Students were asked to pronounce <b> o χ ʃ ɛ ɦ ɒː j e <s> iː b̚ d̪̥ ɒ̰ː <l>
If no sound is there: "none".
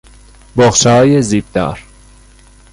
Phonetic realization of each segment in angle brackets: b, z, ɾ

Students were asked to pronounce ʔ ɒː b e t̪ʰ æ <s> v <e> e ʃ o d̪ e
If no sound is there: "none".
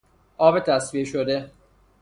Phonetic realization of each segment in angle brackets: s, i

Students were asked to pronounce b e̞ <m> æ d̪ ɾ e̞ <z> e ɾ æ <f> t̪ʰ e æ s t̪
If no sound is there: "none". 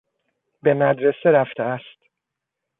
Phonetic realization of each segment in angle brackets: m, s, f

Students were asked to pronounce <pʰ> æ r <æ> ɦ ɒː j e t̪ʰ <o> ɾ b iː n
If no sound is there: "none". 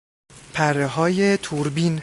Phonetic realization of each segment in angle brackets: pʰ, e, u

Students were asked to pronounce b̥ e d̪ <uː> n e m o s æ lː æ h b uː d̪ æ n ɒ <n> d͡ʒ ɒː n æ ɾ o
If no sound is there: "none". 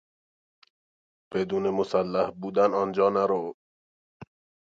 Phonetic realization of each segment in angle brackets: uː, n

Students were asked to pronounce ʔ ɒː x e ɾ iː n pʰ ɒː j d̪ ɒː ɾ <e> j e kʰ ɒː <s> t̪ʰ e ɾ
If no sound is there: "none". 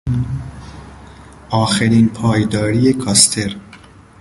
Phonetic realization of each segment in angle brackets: i, s

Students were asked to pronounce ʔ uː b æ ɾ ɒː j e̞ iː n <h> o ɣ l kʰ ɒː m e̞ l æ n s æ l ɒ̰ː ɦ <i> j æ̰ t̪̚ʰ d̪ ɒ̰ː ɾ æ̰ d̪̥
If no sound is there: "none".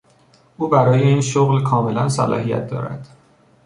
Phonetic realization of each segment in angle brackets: ʃ, i

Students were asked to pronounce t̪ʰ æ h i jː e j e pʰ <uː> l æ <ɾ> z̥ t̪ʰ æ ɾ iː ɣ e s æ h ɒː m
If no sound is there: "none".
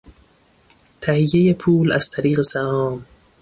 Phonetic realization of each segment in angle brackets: uː, none

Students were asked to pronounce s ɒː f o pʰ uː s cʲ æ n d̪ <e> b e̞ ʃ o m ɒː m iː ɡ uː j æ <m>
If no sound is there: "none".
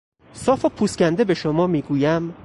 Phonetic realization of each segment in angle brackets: e, m

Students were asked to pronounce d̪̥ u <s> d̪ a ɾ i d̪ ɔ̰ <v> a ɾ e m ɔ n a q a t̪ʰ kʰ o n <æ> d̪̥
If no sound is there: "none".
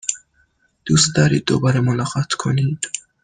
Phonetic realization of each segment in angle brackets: s, b, i

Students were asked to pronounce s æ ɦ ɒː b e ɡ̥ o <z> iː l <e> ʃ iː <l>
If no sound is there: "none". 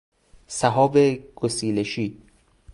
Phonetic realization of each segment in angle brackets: s, e, none

